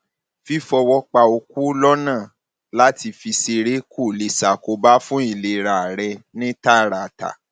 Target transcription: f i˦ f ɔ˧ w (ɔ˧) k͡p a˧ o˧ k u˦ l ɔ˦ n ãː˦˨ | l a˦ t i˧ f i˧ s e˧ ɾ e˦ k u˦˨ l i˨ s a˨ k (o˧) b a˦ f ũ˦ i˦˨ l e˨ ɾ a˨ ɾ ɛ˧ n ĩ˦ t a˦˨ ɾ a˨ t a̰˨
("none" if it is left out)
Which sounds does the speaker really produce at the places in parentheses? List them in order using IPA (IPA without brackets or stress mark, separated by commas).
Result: ɔ˧, o˧